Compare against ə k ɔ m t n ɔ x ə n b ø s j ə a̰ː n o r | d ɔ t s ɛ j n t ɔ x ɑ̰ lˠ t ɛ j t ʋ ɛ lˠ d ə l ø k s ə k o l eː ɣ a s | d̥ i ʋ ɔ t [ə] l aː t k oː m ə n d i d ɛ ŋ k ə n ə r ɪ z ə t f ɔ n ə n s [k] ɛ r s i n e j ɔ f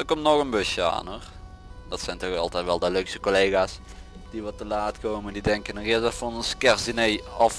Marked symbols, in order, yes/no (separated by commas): yes, yes